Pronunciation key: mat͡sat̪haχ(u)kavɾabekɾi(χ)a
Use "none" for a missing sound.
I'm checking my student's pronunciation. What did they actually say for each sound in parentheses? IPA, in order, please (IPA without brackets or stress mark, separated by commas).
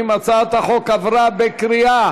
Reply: o, none